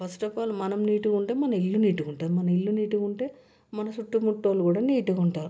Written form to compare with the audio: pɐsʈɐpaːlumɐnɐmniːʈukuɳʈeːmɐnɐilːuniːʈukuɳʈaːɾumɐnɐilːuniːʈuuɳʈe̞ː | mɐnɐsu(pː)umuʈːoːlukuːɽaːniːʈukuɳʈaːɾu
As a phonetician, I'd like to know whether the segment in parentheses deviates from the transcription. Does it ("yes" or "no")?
yes